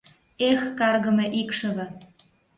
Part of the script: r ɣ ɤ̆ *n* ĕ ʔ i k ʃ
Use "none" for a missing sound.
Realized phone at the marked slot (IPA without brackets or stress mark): m